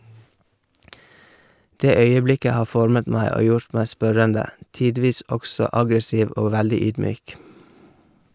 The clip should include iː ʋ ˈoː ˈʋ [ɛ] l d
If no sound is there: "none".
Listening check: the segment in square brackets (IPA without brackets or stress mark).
æ